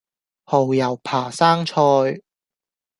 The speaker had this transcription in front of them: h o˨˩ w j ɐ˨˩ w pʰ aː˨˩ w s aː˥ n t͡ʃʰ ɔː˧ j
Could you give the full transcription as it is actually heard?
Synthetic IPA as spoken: h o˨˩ w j ɐ˨˩ w pʰ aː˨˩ s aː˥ ŋ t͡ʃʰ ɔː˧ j